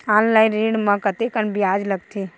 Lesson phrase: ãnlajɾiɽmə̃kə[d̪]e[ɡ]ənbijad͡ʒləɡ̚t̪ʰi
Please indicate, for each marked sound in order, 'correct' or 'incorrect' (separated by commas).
incorrect, incorrect